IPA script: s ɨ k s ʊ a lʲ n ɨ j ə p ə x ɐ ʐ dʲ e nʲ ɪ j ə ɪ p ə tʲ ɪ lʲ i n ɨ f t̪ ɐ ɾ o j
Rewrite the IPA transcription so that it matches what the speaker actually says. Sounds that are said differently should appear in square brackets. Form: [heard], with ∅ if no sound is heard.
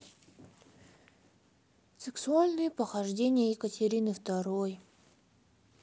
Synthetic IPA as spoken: s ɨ k s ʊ a lʲ n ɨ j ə p ə x ɐ ʐ dʲ e nʲ ɪ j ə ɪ [k] ə tʲ ɪ [ɾʲ] i n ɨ f t̪ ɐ ɾ o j